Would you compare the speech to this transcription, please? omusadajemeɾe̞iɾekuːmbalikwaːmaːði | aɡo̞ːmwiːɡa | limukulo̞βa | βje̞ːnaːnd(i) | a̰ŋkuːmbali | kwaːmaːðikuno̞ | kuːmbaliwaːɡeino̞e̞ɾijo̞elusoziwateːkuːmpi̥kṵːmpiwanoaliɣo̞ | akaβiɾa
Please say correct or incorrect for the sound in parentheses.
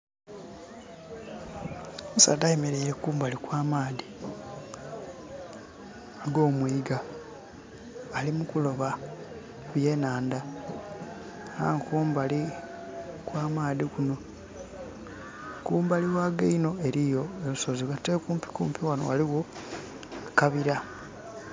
incorrect